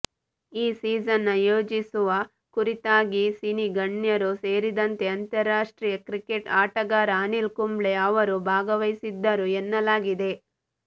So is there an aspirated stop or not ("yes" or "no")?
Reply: no